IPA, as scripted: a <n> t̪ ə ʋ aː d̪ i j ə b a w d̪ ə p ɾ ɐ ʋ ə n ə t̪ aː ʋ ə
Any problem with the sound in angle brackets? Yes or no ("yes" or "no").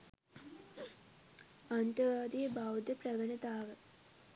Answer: no